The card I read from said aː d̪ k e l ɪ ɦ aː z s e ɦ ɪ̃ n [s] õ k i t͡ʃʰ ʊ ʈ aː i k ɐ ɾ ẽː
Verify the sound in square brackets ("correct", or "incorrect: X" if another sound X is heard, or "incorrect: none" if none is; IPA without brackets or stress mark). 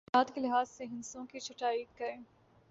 correct